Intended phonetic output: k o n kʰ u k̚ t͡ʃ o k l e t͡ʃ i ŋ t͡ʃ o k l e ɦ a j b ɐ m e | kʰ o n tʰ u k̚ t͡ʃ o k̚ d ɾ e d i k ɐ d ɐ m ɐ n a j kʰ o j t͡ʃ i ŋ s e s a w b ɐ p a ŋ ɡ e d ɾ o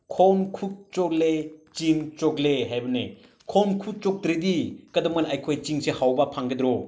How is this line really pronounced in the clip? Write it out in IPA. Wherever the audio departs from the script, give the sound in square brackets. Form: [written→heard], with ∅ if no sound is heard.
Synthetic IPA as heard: [k→kʰ] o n kʰ u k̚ t͡ʃ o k l e t͡ʃ i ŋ t͡ʃ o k l e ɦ a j b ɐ [m→n] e | kʰ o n [tʰ→kʰ] u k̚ t͡ʃ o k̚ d ɾ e d i k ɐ d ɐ m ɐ n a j kʰ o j t͡ʃ i ŋ s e [s→h] a w b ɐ [p→pʰ] a ŋ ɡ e d ɾ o